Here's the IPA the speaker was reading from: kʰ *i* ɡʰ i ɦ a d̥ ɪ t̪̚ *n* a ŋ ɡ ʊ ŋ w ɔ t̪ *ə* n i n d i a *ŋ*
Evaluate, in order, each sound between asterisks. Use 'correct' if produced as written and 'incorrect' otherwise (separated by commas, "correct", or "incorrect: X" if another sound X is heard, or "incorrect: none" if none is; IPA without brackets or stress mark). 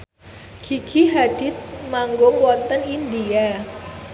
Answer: correct, incorrect: m, correct, incorrect: none